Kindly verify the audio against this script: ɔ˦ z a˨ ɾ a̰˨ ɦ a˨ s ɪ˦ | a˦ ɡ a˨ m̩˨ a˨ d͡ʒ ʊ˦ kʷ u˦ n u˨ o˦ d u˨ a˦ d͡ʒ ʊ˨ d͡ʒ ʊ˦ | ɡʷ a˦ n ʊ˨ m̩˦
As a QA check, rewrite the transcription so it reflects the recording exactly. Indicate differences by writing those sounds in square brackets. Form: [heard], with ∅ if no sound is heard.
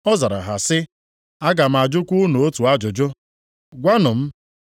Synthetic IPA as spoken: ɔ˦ z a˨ ɾ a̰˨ ɦ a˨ s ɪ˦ | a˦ ɡ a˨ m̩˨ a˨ d͡ʒ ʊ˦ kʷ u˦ n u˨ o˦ [t] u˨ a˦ d͡ʒ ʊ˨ d͡ʒ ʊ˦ | ɡʷ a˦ n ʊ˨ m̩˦